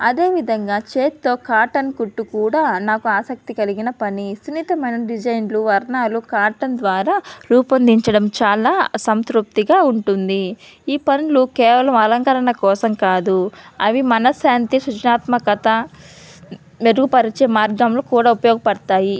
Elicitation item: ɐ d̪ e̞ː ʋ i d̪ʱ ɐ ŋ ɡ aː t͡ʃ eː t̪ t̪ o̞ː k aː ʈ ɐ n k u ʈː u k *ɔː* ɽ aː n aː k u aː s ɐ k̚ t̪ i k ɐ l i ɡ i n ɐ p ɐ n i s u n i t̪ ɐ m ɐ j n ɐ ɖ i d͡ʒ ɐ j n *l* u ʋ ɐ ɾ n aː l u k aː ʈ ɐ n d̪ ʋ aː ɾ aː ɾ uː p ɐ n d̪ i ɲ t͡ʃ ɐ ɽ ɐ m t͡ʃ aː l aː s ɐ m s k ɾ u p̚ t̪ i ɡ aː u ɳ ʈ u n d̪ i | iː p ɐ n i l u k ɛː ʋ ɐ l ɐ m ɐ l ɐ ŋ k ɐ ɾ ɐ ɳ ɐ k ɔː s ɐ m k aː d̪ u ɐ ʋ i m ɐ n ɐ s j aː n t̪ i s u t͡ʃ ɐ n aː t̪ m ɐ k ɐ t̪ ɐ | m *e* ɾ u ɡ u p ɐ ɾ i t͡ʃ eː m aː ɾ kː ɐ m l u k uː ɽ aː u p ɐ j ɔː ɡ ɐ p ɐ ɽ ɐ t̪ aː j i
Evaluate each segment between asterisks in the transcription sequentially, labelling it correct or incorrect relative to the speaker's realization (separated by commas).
incorrect, correct, correct